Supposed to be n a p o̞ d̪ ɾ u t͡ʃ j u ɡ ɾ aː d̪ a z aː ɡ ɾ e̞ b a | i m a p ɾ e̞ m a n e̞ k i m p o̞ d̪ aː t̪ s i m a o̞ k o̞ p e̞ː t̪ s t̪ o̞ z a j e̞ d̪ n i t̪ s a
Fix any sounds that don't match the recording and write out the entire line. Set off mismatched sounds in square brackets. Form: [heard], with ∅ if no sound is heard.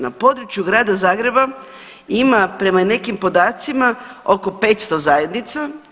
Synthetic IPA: n a p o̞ d̪ ɾ u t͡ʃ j u ɡ ɾ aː d̪ a z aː ɡ ɾ e̞ b a | i m a p ɾ e̞ m a n e̞ k i m p o̞ d̪ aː t̪ s i m a o̞ k o̞ p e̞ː t̪ s t̪ o̞ z a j e̞ d̪ n i t̪ s a